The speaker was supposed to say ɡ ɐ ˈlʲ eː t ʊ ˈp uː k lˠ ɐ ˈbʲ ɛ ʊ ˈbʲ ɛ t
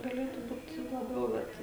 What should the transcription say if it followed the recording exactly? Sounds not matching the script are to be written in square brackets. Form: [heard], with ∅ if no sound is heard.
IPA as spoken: ɡ ɐ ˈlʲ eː t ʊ [ˈb] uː [t] lˠ ɐ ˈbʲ ɛ ʊ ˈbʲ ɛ t